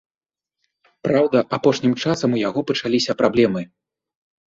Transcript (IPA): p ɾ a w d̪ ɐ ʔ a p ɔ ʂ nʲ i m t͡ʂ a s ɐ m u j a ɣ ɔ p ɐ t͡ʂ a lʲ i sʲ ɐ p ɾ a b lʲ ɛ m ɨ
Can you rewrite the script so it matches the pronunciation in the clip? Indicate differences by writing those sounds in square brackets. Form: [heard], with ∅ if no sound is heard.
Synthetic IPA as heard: p ɾ a w d̪ ɐ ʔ a p ɔ ʂ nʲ i m t͡ʂ a s ɐ m u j a ɣ ɔ p ɐ t͡ʂ a lʲ i sʲ ɐ p ɾ a b lʲ ɛ m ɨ